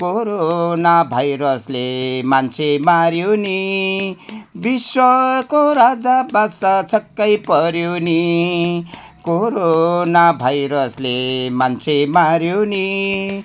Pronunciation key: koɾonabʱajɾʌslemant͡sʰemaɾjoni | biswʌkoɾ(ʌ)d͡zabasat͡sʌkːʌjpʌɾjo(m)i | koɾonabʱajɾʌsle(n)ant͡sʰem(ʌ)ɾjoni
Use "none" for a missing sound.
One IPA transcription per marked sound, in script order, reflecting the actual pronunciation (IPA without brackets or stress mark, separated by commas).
a, n, m, a